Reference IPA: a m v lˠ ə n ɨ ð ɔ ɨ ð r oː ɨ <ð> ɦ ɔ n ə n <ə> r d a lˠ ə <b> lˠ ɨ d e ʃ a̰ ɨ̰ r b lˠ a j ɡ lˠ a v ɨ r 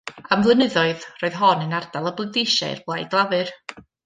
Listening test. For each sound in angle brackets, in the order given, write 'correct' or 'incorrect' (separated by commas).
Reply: correct, incorrect, correct